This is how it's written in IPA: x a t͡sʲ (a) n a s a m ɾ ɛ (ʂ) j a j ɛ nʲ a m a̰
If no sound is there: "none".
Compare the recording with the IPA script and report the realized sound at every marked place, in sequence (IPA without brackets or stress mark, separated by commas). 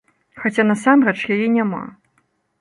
a, t͡ʂ